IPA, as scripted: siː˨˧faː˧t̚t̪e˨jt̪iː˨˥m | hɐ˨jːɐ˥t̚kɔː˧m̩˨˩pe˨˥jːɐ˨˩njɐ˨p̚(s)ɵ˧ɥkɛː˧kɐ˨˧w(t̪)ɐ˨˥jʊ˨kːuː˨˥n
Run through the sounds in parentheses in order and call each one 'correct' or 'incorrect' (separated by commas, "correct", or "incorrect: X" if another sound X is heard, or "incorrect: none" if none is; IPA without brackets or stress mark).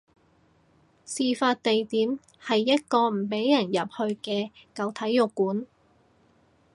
incorrect: h, incorrect: t̪ʰ